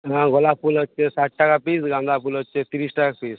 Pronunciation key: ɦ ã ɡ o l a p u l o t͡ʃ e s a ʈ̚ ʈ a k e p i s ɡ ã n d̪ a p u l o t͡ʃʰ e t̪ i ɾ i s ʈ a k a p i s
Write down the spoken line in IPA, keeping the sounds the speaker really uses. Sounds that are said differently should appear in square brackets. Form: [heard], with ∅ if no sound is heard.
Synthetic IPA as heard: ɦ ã ɡ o l a p u l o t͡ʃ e s a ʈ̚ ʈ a k [a] p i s ɡ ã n d̪ a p u l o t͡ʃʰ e t̪ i ɾ i s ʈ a k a p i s